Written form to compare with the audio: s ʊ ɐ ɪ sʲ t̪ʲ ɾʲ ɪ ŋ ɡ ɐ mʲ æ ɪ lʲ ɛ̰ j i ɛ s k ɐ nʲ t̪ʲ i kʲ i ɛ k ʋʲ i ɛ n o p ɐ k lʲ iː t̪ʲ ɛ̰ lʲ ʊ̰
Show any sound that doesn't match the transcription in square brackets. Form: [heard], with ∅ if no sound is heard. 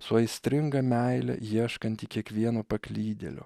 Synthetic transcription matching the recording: s ʊ ɐ ɪ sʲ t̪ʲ ɾʲ ɪ ŋ ɡ ɐ mʲ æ ɪ lʲ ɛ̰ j i ɛ [ʃ] k ɐ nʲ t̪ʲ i kʲ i ɛ k ʋʲ i ɛ n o p ɐ k lʲ iː [d̪ʲ] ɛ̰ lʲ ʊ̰